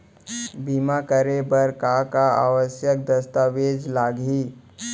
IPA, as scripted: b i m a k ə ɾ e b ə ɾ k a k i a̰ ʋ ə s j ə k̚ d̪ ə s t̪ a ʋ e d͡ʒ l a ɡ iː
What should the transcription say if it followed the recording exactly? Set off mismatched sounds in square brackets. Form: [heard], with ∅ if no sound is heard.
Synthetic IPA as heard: b i m a k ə ɾ e b ə ɾ k a k [a] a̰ ʋ ə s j ə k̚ d̪ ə s t̪ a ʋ e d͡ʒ l a ɡ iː